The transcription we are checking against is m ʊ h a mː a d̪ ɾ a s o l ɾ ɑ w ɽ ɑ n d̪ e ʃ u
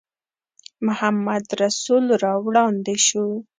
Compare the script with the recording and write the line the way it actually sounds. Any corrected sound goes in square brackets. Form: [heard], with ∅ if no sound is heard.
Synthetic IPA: m ʊ h a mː a d̪ ɾ a s [u] l ɾ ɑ w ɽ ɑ n d̪ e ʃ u